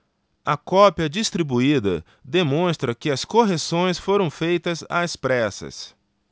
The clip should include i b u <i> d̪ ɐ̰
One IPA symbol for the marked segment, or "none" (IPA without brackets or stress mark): i